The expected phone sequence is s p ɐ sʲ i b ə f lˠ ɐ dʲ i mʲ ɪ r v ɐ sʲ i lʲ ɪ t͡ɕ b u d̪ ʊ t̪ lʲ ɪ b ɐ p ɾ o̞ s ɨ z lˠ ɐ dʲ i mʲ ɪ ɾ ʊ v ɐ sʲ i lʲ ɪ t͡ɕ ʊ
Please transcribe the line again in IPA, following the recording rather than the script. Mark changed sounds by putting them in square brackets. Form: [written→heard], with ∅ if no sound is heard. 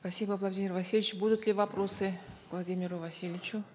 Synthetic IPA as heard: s p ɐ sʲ i b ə [f→v] lˠ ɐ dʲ i mʲ ɪ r v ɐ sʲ i lʲ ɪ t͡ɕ b u d̪ ʊ t̪ lʲ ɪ [b→v] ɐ p ɾ o̞ s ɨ [z→v] lˠ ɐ dʲ i mʲ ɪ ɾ ʊ v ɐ sʲ i lʲ ɪ t͡ɕ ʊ